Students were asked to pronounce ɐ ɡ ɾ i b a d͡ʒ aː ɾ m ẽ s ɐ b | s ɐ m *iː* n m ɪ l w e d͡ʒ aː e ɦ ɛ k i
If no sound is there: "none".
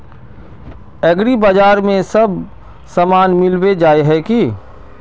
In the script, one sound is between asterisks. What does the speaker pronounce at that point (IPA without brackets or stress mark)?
aː